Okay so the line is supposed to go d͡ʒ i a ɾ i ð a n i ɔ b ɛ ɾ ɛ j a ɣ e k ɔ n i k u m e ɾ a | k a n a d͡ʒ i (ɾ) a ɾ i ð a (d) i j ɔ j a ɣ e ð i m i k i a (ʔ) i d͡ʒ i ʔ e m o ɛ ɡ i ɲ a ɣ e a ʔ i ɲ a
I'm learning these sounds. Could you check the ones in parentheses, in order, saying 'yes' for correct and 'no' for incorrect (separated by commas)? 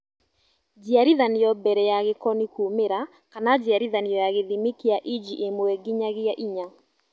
no, no, yes